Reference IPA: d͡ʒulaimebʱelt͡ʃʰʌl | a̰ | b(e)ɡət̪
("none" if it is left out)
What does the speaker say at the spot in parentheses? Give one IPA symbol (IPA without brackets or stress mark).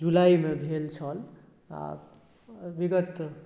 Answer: i